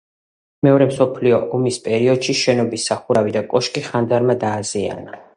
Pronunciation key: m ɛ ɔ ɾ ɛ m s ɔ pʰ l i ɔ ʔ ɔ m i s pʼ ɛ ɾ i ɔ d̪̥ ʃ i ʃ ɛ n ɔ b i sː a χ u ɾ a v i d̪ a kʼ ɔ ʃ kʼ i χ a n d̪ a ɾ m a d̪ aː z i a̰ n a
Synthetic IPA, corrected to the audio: m ɛ ɔ ɾ ɛ m s ɔ pʰ l i ɔ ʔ ɔ m i s pʼ ɛ ɾ i ɔ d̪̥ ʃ i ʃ ɛ n ɔ b i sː a χ u ɾ a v i d̪ a kʼ ɔ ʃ kʼ i χ a n d̪ a ɾ m a d̪ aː z i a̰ n a

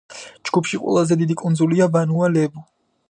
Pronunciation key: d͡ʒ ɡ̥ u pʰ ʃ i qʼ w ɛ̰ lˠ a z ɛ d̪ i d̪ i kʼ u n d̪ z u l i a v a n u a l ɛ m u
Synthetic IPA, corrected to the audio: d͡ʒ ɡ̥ u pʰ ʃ i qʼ w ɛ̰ lˠ a z ɛ d̪ i d̪ i kʼ u n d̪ z u l i a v a n u a l ɛ b u

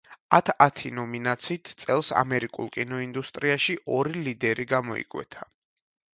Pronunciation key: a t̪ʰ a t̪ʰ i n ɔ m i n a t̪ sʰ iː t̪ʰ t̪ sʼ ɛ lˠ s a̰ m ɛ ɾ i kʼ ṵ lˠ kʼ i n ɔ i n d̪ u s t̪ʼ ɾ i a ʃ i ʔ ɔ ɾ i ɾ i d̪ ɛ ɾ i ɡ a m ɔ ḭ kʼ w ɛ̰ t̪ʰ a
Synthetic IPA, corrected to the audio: a t̪ʰ a t̪ʰ i n ɔ m i n a t̪ sʰ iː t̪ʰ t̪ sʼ ɛ lˠ s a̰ m ɛ ɾ i kʼ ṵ lˠ kʼ i n ɔ i n d̪ u s t̪ʼ ɾ i a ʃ i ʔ ɔ ɾ i l i d̪ ɛ ɾ i ɡ a m ɔ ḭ kʼ w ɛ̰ t̪ʰ a

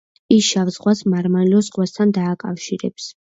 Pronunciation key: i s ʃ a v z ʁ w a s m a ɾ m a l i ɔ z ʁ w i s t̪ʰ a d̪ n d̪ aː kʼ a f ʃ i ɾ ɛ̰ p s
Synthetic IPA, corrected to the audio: i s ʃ a v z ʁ w a s m a ɾ m a l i ɔ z ʁ w a s t̪ʰ a n d̪ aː kʼ a f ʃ i ɾ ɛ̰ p s

